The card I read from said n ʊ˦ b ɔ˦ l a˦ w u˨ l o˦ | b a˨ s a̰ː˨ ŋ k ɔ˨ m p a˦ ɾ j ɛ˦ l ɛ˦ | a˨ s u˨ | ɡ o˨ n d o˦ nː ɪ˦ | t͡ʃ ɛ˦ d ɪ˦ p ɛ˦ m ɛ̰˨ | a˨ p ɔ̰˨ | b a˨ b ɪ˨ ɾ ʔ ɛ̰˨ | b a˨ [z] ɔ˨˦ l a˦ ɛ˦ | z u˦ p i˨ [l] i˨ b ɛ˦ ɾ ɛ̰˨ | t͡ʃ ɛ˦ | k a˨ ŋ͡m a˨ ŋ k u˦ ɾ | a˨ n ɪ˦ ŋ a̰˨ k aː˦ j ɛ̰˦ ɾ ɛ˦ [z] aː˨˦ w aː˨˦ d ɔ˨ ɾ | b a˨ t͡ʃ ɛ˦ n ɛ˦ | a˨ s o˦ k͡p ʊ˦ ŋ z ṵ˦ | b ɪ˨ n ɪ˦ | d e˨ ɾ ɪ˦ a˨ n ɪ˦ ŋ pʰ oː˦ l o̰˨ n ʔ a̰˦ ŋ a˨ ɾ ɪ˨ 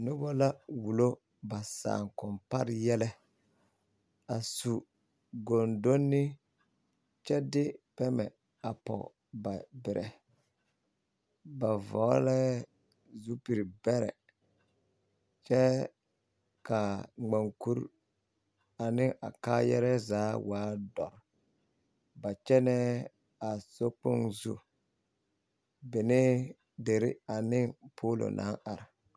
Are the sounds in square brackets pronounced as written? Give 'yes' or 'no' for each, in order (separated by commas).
no, no, yes